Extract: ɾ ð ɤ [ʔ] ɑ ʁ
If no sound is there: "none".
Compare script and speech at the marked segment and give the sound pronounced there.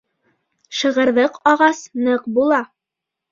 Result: q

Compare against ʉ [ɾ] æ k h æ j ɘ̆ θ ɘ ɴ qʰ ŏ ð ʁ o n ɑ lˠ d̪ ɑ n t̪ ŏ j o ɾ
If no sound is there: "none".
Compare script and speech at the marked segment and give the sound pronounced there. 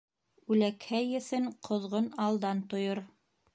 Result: l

